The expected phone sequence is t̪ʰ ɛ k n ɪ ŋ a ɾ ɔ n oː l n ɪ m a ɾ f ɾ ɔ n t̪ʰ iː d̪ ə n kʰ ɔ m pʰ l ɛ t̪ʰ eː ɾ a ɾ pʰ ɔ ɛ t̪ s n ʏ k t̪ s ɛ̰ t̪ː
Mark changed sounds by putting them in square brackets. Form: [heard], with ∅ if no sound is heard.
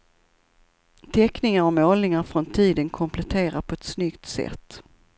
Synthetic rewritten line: t̪ʰ ɛ k n ɪ ŋ a ɾ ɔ [m] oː l n ɪ [ŋ] a ɾ f ɾ ɔ n t̪ʰ iː d̪ ə n kʰ ɔ m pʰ l ɛ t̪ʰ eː ɾ a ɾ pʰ ɔ ɛ t̪ s n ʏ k t̪ s ɛ̰ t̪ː